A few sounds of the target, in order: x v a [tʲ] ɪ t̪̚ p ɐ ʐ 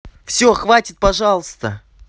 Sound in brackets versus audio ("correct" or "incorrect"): correct